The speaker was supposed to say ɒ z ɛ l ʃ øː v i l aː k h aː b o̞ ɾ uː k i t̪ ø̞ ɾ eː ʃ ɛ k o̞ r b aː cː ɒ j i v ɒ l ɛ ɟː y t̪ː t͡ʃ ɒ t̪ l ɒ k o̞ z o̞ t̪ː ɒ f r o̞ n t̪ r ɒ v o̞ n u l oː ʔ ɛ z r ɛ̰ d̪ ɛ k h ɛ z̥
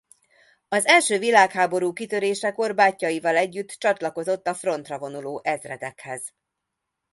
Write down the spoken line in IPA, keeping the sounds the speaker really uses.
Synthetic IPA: ɒ z ɛ l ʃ øː v i l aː k h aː b o̞ ɾ uː k i t̪ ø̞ ɾ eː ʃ ɛ k o̞ r b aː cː ɒ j i v ɒ l ɛ ɟː y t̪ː t͡ʃ ɒ t̪ l ɒ k o̞ z o̞ t̪ː ɒ f r o̞ n t̪ r ɒ v o̞ n u l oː ʔ ɛ z r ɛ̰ d̪ ɛ k h ɛ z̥